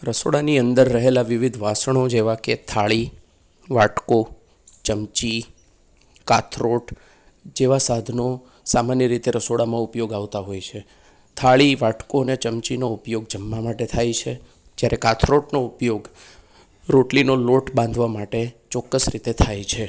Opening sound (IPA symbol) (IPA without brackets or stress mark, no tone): ɾ